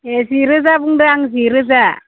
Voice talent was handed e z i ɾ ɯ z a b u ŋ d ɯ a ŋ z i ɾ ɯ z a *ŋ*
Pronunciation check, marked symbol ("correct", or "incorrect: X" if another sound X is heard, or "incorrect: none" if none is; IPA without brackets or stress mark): incorrect: none